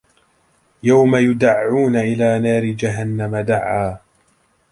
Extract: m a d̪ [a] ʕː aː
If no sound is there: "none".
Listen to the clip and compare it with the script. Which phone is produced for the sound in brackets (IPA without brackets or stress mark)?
a